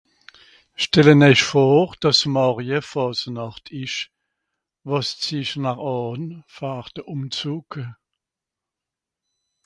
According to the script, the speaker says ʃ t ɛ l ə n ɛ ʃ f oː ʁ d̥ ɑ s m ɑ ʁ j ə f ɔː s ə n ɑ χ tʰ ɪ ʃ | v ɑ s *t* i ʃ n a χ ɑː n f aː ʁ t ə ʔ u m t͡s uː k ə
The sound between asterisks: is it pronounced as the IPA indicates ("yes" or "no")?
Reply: no